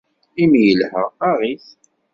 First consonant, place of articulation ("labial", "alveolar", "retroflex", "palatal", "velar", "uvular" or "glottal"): labial